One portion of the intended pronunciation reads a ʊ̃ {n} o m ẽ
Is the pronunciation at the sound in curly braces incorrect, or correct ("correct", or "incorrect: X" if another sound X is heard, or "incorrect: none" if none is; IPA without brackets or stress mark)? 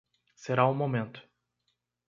incorrect: m